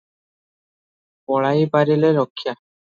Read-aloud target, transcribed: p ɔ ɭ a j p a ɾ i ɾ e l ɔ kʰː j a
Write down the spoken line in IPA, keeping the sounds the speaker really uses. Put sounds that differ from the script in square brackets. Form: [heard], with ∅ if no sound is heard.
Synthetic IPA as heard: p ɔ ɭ a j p a ɾ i [l] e [ɾ] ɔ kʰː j a